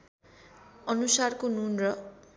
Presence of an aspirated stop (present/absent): absent